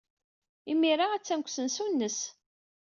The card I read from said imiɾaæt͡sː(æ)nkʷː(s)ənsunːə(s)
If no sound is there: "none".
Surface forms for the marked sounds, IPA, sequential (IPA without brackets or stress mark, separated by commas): æ, s, s